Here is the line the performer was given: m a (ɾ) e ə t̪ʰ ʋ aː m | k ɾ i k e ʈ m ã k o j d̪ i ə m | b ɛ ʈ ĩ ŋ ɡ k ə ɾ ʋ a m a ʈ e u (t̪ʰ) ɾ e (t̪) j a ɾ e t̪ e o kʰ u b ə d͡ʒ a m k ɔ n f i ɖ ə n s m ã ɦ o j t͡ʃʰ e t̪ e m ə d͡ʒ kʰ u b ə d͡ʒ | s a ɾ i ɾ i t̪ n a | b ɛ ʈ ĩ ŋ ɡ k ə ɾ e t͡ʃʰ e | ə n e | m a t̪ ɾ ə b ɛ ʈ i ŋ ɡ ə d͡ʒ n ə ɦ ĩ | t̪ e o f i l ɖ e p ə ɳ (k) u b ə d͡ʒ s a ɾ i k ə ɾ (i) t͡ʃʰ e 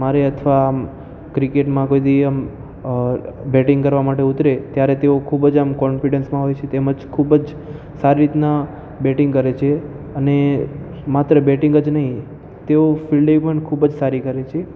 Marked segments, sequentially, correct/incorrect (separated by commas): correct, incorrect, correct, incorrect, incorrect